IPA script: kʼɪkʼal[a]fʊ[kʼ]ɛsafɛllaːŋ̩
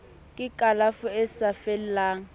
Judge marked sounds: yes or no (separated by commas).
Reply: yes, no